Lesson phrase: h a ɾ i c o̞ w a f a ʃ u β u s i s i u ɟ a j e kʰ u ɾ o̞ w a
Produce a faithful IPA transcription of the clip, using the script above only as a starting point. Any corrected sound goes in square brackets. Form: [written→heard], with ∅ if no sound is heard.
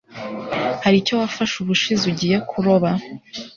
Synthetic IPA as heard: h a ɾ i c o̞ w a f a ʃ u β u [s→ʃ] i [s→z] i u ɟ [a→i] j e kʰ u ɾ o̞ [w→β] a